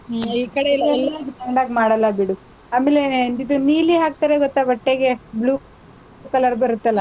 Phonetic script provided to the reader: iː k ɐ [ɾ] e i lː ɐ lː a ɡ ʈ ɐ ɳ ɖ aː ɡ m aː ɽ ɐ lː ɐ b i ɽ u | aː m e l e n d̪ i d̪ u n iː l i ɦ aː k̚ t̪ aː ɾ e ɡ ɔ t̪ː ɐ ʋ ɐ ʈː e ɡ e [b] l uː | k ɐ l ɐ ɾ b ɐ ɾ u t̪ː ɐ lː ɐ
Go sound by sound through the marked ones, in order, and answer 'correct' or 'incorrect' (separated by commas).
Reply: incorrect, correct